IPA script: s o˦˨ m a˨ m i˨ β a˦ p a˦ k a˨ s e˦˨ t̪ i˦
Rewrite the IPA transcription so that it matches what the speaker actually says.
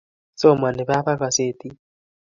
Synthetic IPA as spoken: s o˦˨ m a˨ n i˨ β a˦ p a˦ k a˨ s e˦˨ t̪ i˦

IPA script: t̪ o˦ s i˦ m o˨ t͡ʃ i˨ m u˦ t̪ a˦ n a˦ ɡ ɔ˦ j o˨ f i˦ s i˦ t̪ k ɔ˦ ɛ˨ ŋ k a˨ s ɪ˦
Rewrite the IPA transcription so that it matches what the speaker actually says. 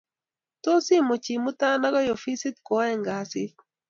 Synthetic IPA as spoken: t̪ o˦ s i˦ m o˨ t͡ʃ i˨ m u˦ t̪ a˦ n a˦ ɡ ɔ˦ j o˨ f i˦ s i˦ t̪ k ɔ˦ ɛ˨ ŋ ɡ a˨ s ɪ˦

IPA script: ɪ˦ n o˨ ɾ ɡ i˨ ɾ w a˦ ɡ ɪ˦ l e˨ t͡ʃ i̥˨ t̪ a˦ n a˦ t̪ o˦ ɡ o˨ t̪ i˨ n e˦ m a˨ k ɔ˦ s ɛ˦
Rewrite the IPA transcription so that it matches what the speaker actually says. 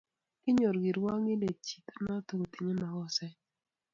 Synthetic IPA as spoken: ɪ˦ ɲ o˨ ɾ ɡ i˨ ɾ w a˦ ŋ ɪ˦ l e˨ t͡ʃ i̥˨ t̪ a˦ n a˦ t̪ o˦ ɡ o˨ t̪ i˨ ɲ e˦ m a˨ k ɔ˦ s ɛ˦

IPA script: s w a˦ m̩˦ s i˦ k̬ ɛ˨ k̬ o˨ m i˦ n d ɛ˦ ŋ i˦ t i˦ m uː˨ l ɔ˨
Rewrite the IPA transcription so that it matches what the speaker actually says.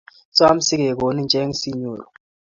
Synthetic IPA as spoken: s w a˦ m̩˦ s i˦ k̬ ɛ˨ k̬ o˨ n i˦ n d͡ʒʱ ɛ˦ ŋ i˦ s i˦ ɲ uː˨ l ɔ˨

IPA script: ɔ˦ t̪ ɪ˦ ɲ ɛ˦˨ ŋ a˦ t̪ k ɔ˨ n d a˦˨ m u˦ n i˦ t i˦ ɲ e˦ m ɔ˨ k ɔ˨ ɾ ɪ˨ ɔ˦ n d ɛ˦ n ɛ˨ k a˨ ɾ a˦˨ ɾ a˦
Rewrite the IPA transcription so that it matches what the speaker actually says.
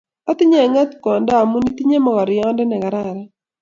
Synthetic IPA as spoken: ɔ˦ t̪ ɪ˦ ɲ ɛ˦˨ ŋ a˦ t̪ k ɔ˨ n d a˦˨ m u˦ n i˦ t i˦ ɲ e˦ m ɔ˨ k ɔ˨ ɾ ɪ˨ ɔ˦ n d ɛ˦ n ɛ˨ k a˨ ɾ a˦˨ ɾ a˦

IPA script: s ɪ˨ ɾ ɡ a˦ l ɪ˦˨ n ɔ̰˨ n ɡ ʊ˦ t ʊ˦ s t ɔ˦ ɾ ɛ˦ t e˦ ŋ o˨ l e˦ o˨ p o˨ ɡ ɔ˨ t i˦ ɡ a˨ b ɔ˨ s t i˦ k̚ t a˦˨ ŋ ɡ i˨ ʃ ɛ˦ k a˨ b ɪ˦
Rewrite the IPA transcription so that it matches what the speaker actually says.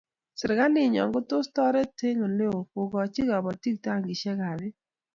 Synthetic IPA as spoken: s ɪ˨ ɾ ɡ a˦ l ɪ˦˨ ɲ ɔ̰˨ ŋ ɡ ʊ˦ t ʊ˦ s t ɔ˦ ɾ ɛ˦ t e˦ ŋ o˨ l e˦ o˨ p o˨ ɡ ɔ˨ t͡ʃ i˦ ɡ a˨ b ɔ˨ t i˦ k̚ t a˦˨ ŋ ɡ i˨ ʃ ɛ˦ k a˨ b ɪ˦

